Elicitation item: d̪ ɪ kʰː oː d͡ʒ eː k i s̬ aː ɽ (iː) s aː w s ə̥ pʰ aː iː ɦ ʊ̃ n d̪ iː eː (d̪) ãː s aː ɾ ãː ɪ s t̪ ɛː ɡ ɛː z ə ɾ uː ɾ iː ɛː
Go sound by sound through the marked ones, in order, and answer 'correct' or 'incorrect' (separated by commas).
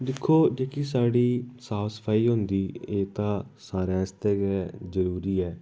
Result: correct, incorrect